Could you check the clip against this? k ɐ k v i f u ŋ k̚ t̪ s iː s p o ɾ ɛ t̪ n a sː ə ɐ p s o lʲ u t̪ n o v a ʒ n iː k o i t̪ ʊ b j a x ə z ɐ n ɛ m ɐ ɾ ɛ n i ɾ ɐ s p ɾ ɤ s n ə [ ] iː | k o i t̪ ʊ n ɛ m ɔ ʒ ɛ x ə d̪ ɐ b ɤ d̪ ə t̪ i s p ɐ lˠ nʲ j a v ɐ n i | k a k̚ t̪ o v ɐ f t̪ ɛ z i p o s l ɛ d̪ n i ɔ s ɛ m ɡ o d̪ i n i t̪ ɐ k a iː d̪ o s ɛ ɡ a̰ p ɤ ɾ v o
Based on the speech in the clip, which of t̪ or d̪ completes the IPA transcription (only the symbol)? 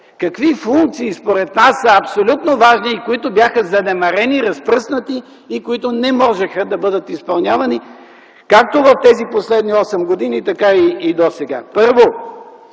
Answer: t̪